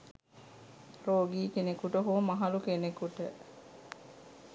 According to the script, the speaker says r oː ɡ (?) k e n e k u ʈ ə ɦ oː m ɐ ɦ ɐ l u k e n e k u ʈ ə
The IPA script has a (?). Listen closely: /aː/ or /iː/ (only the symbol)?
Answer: iː